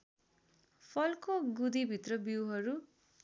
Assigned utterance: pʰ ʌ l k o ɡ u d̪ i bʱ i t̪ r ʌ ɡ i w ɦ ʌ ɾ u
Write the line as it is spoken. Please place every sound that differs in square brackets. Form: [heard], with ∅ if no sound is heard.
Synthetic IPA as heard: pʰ ʌ l k o ɡ u d̪ i bʱ i t̪ r ʌ [b] i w ɦ ʌ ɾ u